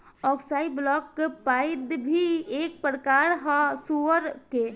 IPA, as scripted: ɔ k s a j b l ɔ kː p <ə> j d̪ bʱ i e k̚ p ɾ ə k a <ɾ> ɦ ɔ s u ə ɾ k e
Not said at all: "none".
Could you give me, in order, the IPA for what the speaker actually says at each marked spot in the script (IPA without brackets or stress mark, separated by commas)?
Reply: a, ɾ